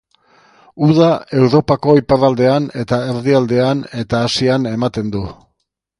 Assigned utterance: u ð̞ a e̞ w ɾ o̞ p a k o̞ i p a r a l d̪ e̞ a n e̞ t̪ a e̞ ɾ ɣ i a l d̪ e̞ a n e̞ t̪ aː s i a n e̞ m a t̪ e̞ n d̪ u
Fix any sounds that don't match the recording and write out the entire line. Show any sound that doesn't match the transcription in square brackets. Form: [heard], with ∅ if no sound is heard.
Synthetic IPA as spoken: u ð̞ a e̞ w ɾ o̞ p a k o̞ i p a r a l d̪ e̞ a n e̞ t̪ a e̞ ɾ [ð] i a l d̪ e̞ a n e̞ t̪ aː s i a n e̞ m a t̪ e̞ n d̪ u